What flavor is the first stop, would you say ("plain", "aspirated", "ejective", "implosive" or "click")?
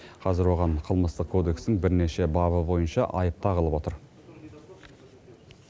aspirated